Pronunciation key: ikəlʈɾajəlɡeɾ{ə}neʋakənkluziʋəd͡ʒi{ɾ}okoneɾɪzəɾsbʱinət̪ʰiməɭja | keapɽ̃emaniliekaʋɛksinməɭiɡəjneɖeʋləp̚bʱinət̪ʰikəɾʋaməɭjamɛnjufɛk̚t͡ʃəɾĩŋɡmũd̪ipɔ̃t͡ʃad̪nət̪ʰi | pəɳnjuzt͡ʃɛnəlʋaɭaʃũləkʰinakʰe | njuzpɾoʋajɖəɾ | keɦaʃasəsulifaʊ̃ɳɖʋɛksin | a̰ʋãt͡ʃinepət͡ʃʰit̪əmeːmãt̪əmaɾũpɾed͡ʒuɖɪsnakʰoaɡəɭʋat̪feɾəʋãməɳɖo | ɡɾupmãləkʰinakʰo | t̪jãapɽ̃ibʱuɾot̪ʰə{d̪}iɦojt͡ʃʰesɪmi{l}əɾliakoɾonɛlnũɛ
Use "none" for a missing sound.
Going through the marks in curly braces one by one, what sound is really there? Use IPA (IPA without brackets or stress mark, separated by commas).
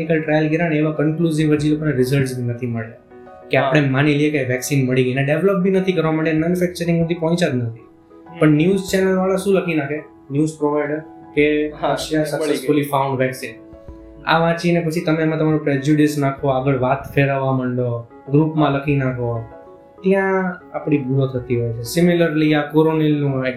a, l, t̪, l